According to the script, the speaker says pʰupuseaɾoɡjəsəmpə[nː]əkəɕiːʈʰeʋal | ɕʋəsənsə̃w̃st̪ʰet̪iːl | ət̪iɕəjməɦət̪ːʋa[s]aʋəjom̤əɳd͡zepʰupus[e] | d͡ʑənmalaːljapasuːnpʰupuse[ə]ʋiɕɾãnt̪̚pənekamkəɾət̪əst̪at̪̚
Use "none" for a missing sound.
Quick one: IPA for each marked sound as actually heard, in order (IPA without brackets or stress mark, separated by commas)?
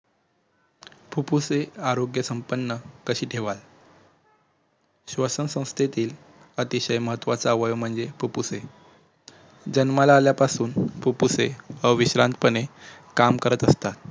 nː, t͡s, e, ə